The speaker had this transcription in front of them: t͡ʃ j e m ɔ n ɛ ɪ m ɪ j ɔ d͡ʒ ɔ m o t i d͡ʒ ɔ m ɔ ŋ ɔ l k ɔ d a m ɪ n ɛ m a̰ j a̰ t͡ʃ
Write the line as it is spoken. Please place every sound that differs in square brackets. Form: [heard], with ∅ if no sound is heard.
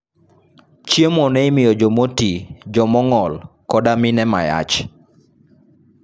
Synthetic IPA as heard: t͡ʃ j e m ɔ n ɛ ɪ m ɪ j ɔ d͡ʒ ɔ m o t i d͡ʒ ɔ m ɔ ŋ ɔ l k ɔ d a m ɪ n ɛ m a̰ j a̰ t͡ʃ